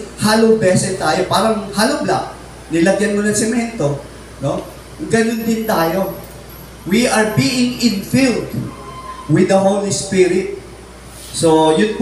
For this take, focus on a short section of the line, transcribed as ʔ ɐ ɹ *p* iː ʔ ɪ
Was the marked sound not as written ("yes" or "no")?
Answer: yes